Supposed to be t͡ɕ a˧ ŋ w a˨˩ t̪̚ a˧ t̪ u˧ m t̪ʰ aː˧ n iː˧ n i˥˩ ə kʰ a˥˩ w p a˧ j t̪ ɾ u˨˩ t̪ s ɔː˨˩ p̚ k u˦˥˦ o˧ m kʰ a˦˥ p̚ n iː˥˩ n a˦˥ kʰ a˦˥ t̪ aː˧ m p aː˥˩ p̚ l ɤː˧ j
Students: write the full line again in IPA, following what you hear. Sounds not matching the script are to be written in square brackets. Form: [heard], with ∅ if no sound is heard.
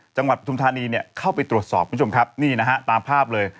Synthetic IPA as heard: t͡ɕ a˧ ŋ w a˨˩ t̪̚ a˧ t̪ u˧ m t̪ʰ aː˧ n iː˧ n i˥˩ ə kʰ a˥˩ w p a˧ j t̪ ɾ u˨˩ t̪ s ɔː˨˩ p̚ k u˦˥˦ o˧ m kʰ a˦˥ p̚ n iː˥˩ n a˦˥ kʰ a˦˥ t̪ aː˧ m [pʰ] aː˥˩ p̚ l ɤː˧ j